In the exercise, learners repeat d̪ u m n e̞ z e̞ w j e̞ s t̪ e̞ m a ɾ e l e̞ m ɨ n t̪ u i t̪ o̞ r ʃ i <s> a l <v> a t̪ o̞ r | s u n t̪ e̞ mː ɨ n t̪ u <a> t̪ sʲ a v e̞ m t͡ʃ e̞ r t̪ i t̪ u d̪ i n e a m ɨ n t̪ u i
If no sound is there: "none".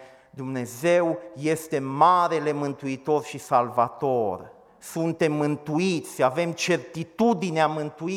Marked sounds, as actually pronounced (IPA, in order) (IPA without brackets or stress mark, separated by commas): s, v, i